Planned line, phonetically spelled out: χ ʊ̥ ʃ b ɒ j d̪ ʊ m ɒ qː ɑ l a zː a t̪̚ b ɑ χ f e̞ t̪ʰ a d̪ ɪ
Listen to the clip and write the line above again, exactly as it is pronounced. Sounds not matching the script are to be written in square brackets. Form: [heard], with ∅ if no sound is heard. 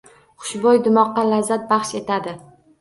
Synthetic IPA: χ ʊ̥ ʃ b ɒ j d̪ ʊ m ɒ qː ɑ l a zː a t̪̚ b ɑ χ [ʃ] e̞ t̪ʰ a d̪ ɪ